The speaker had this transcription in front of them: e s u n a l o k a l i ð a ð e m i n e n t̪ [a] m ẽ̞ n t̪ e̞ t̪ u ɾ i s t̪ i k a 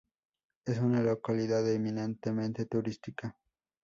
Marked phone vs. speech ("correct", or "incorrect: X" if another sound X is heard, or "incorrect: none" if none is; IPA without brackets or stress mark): incorrect: e